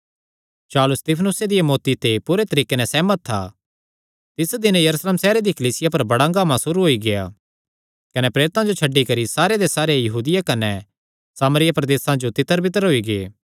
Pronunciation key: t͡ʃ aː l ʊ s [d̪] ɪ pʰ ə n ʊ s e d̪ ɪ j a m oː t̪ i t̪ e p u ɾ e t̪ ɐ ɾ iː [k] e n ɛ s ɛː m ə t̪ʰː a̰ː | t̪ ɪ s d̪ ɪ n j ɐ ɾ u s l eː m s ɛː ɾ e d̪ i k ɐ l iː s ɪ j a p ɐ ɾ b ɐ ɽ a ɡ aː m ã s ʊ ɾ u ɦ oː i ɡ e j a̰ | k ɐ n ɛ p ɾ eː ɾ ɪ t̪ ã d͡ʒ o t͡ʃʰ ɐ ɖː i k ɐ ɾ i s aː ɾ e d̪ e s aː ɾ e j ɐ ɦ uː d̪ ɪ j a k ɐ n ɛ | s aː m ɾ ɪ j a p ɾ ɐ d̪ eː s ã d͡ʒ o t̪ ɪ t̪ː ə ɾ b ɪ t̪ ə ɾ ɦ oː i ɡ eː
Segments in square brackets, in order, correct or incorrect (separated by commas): incorrect, correct